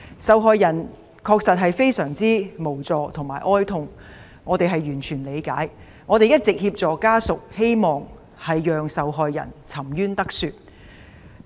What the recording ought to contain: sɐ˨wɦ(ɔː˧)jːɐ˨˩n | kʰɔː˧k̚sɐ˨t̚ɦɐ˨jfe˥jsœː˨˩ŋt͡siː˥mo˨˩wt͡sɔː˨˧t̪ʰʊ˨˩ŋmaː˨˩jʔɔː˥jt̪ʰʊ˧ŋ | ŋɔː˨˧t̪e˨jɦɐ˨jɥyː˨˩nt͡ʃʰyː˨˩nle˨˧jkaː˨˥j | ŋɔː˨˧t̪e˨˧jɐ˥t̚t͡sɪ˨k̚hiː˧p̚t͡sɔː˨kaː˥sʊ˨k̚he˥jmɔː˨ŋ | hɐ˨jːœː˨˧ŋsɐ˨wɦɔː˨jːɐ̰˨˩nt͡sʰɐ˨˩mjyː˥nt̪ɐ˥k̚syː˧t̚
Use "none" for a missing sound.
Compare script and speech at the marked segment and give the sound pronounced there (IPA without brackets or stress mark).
ɔː˧